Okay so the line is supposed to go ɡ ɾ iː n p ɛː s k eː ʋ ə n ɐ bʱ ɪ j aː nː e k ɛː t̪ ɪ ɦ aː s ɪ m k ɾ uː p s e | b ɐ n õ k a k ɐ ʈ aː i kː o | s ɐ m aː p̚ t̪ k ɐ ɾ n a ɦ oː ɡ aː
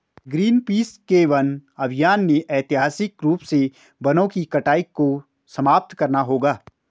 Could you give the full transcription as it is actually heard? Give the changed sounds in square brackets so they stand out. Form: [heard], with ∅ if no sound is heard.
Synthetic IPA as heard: ɡ ɾ iː n p [iː] s k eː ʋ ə n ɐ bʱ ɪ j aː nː e [ʔ] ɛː t̪ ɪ ɦ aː s ɪ [∅] k ɾ uː p s e | b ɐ n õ k [i] k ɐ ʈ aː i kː o | s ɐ m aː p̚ t̪ k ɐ ɾ n a ɦ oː ɡ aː